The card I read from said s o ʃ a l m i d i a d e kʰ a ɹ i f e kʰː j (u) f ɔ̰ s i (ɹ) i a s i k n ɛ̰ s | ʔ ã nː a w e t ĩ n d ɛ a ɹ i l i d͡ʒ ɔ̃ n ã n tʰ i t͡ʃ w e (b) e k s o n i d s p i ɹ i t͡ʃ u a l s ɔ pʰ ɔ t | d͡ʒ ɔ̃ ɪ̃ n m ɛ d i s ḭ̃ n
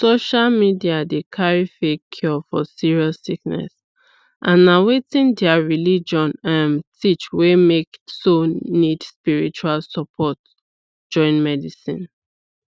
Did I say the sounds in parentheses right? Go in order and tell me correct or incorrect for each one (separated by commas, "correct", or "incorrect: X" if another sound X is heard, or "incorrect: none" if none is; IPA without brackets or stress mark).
incorrect: ɔ, correct, incorrect: m